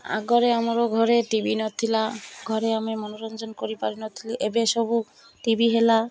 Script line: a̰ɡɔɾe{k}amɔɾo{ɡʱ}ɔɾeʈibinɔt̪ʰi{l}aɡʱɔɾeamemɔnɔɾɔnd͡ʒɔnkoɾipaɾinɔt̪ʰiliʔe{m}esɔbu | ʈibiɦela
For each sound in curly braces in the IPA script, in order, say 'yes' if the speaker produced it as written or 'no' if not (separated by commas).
no, yes, yes, no